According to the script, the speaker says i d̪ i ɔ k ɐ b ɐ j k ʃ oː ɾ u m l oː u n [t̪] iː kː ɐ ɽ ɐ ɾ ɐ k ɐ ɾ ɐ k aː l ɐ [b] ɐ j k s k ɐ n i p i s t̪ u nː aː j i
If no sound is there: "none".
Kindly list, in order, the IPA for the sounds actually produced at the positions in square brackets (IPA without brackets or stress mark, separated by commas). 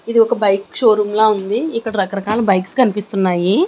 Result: d̪, b